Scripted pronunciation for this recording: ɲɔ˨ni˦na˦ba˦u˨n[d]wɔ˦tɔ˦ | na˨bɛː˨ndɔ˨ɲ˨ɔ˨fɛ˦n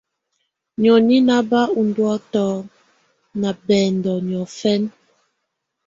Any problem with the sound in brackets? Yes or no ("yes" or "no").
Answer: no